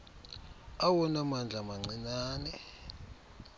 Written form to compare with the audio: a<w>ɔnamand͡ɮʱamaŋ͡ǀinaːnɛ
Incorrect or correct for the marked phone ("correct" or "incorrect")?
correct